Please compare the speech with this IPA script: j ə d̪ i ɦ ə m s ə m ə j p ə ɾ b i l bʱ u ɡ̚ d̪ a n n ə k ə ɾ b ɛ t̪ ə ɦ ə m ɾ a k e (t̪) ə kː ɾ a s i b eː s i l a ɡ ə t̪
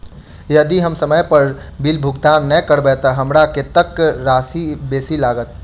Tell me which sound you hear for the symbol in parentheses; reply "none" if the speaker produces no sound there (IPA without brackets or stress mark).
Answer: t̪